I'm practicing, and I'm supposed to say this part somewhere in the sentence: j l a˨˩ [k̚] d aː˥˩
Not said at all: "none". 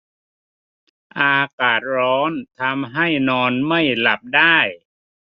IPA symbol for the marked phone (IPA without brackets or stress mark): p̚